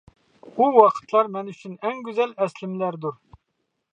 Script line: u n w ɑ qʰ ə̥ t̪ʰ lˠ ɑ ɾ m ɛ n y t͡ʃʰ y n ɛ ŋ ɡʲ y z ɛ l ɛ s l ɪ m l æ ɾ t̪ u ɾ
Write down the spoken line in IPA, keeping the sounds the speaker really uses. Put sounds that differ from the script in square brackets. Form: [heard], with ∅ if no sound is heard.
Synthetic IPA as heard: u [∅] w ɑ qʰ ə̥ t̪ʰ lˠ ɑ ɾ m ɛ n y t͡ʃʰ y n ɛ ŋ ɡʲ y z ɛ l ɛ s l ɪ m l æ ɾ [d̪] u ɾ